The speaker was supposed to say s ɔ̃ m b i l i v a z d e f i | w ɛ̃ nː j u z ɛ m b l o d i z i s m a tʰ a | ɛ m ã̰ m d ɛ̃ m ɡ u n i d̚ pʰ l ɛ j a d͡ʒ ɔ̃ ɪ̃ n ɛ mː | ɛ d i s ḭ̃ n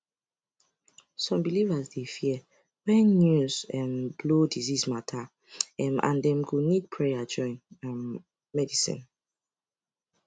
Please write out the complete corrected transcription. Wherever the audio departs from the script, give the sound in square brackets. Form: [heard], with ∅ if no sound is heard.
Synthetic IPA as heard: s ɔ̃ m b i l i v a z d e f i | w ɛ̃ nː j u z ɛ m b l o d i z i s m a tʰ a | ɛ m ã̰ [n] d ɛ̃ m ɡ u n i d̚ pʰ [ɹ] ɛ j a d͡ʒ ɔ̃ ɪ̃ n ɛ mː | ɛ d i s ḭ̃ n